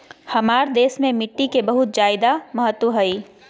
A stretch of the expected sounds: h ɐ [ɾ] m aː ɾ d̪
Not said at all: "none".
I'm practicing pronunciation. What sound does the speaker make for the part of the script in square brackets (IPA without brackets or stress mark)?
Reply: none